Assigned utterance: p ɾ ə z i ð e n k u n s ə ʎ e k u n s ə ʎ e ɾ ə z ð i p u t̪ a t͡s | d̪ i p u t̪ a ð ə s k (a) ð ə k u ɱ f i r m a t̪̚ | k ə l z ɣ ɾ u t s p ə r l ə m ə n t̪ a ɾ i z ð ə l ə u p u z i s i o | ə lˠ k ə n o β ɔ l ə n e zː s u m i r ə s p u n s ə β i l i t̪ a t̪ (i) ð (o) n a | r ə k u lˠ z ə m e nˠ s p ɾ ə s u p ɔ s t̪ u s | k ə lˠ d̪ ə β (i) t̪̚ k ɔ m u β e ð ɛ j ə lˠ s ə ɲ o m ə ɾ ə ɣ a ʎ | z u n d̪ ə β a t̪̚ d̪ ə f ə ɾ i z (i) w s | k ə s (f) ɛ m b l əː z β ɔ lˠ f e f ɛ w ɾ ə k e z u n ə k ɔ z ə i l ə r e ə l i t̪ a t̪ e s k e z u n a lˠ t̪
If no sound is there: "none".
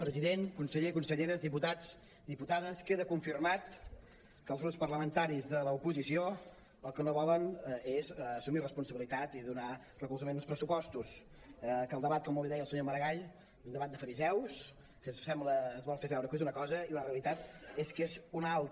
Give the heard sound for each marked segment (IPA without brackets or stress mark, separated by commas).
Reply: e, i, u, a, ɛ, s